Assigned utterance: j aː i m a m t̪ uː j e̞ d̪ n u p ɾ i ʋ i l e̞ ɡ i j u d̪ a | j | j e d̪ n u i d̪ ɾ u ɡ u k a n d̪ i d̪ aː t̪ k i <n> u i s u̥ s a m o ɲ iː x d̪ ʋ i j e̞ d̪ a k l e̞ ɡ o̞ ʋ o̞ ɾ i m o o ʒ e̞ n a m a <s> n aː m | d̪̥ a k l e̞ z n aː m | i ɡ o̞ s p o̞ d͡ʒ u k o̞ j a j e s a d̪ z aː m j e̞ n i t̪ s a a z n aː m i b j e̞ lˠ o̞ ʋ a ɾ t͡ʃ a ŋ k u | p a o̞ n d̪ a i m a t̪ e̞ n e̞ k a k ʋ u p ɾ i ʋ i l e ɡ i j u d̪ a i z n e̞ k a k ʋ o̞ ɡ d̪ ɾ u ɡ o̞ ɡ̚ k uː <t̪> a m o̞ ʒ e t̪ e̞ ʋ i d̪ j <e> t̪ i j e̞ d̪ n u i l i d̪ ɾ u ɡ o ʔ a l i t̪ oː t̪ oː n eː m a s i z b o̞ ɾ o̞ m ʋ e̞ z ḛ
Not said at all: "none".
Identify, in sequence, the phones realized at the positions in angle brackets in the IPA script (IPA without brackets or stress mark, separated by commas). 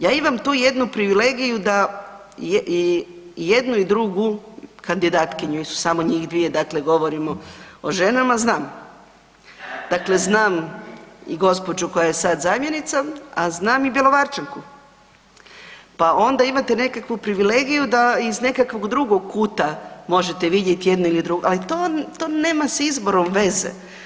ɲ, z, t̪, e